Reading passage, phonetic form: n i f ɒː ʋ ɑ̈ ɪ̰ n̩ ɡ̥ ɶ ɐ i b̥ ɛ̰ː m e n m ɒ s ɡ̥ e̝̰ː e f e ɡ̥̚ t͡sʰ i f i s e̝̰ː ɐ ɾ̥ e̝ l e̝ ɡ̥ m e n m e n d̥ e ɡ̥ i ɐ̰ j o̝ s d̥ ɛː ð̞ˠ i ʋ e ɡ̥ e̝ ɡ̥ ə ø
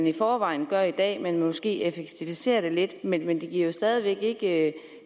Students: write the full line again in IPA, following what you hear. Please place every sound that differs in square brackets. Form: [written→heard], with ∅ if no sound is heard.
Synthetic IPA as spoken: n i f ɒː ʋ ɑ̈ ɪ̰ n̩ ɡ̥ ɶ ɐ i [b̥→d̥] ɛ̰ː m e n m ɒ s ɡ̥ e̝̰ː e f e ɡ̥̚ t͡sʰ i f i s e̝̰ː ɐ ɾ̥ e̝ l e̝ [ɡ̥→d̥] m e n m e n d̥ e ɡ̥ i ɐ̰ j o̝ s d̥ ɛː ð̞ˠ i ʋ e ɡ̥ e̝ ɡ̥ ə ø